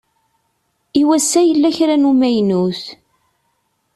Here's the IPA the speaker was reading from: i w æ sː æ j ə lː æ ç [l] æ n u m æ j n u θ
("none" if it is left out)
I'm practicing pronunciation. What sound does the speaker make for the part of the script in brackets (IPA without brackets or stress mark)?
ɾ